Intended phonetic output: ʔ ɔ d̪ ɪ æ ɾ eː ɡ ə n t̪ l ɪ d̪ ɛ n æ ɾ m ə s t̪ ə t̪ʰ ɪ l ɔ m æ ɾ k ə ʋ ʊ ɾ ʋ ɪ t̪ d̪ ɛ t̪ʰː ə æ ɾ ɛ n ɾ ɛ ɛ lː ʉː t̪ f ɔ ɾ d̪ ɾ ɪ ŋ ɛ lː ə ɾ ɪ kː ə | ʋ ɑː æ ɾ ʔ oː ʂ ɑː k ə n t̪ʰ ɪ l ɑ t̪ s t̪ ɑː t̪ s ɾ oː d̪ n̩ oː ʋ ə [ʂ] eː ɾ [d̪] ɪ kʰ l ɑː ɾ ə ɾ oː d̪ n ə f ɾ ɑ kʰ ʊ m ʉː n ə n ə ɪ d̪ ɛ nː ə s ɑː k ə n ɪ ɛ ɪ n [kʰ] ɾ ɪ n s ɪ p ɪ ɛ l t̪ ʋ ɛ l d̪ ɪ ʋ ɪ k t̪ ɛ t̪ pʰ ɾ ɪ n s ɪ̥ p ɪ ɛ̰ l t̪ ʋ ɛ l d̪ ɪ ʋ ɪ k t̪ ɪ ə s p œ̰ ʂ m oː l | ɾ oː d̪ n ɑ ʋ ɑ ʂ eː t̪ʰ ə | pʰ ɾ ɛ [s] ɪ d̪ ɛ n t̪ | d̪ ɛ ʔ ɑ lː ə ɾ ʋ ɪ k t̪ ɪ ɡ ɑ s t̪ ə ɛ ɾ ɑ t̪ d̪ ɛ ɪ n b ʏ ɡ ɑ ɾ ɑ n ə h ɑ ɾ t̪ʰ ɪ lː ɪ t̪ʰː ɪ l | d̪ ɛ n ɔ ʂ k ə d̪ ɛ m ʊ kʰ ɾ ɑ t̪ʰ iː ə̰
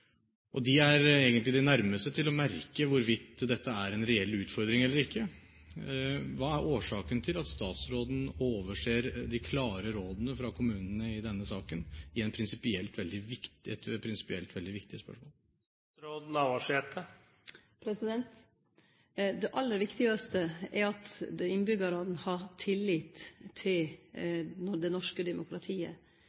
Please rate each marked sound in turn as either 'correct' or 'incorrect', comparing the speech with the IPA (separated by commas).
correct, correct, incorrect, correct